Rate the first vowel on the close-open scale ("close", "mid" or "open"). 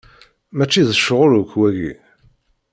open